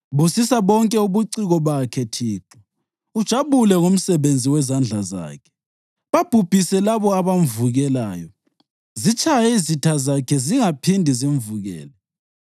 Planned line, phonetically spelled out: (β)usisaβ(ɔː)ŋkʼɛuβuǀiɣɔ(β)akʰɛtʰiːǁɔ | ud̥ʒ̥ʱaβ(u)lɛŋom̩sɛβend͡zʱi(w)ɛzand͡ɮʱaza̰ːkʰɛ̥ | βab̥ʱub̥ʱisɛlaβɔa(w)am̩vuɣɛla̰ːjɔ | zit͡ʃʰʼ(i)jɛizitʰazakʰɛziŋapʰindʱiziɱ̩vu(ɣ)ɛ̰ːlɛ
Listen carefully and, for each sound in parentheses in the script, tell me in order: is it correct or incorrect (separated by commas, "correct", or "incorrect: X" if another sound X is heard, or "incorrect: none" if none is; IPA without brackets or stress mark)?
correct, incorrect: ɔ, correct, correct, correct, incorrect: β, incorrect: a, correct